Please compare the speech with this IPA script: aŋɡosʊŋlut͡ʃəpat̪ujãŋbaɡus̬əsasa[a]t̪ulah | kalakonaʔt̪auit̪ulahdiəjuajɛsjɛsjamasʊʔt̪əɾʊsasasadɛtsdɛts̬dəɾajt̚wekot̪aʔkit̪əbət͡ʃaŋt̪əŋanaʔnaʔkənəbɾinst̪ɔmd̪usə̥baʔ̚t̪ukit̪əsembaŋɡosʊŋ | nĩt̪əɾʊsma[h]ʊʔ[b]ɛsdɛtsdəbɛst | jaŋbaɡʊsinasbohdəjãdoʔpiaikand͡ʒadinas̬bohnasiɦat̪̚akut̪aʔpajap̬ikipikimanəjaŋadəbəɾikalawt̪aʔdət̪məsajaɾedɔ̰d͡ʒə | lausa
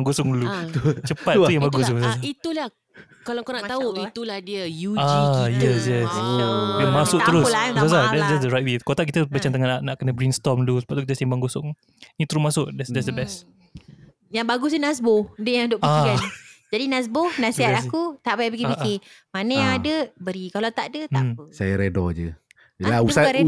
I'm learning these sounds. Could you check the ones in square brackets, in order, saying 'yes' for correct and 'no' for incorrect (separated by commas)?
no, no, no